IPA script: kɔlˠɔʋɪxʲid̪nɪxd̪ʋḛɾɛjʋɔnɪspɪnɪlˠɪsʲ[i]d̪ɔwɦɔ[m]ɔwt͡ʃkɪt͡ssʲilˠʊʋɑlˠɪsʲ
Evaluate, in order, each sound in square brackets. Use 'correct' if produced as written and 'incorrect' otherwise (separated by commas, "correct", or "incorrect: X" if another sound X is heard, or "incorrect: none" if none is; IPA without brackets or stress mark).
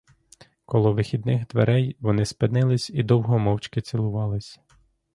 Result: correct, correct